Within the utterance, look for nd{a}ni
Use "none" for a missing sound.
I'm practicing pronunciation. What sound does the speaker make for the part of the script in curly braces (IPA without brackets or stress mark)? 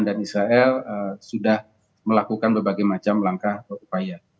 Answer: a